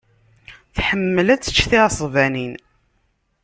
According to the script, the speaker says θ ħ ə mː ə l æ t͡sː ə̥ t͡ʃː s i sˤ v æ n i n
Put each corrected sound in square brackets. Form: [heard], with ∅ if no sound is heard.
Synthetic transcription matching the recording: θ ħ ə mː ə l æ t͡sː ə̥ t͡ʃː [θ] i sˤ v æ n i n